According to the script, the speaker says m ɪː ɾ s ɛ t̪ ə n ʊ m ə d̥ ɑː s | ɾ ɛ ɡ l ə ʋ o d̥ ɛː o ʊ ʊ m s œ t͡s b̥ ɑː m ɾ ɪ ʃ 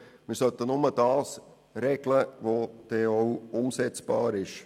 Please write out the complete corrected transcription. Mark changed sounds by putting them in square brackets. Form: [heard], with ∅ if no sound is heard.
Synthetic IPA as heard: m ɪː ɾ s [œ] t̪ ə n ʊ m ə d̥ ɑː s | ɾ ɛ ɡ l ə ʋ o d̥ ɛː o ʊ ʊ m s [ɛ] t͡s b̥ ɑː [∅] ɾ ɪ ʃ